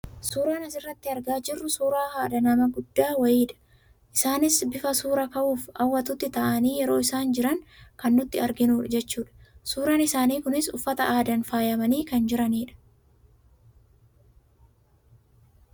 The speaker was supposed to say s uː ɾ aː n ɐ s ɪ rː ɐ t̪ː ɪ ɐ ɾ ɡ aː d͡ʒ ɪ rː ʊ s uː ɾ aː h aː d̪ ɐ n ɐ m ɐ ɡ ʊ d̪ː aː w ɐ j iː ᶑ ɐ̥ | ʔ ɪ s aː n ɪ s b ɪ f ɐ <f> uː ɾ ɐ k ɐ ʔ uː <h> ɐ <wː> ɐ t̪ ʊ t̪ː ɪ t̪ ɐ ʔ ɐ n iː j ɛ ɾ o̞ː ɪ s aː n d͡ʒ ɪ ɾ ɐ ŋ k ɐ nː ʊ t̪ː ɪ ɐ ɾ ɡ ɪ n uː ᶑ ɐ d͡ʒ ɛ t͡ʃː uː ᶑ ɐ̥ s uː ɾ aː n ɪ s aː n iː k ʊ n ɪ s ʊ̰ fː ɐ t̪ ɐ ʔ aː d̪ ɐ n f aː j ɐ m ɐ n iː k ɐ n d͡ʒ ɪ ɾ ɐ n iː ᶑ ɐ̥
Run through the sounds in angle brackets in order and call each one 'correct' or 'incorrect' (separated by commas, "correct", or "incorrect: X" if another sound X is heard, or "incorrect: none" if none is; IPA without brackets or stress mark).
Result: incorrect: s, incorrect: f, correct